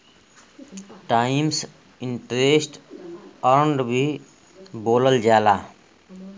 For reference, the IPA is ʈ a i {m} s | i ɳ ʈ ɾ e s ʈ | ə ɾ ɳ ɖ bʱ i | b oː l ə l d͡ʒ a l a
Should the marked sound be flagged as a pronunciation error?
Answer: no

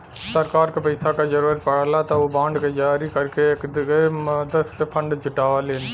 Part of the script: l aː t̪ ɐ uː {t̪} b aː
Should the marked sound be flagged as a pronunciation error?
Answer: yes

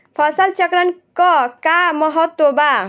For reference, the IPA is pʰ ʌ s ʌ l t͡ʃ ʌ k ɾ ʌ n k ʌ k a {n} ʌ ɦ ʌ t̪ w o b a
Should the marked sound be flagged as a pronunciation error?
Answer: yes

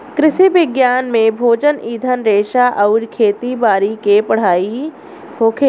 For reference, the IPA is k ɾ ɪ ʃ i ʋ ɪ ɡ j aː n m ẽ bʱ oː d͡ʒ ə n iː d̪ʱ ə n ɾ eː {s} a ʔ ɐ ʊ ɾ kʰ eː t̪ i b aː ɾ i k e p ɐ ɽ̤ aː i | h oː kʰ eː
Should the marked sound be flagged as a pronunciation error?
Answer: yes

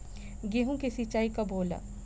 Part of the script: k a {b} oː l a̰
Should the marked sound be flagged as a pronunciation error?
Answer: no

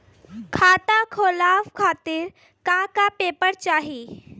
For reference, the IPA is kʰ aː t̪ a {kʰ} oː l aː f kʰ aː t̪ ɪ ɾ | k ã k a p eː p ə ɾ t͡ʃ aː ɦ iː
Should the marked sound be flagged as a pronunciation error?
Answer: no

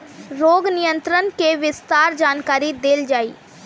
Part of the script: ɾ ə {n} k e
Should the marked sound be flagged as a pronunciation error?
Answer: no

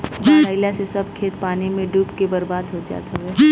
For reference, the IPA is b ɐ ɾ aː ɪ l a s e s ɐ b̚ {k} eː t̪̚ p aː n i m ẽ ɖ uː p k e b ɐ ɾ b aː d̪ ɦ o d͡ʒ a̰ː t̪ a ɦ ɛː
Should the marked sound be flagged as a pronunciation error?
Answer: yes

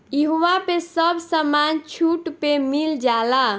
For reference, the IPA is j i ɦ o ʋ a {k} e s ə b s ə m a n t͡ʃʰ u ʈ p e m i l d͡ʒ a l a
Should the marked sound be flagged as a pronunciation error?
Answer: yes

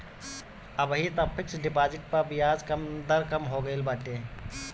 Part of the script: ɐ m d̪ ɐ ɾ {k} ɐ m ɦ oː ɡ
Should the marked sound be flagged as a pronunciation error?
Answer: no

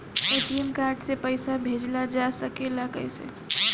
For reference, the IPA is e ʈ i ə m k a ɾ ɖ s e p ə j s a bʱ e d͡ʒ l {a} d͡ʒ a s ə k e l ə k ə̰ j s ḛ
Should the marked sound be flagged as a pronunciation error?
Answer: no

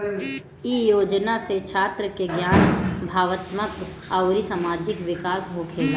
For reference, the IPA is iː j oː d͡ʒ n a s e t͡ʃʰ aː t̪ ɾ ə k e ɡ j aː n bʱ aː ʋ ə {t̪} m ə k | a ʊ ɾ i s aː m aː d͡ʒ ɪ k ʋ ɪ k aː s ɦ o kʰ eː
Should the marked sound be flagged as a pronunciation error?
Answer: no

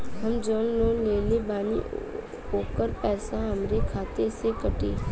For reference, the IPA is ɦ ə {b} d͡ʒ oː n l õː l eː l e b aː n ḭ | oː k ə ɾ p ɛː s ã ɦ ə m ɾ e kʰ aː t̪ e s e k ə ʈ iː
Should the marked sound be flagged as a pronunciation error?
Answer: yes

